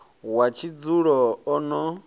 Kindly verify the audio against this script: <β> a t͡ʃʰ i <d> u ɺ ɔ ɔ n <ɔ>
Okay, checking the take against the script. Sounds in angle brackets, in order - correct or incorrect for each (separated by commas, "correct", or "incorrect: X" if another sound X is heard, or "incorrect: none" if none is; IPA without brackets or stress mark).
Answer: incorrect: w, incorrect: d͡z, correct